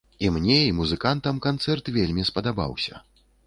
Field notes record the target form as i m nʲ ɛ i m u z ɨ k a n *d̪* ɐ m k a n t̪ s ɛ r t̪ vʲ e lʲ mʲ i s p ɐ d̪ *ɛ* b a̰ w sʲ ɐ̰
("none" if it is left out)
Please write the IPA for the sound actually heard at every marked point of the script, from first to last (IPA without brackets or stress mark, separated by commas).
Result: t̪, a